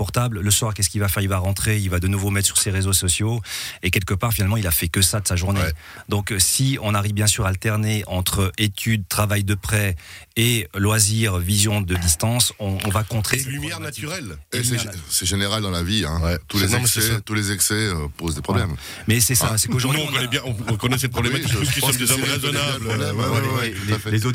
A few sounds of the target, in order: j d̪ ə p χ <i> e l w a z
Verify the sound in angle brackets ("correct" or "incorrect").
incorrect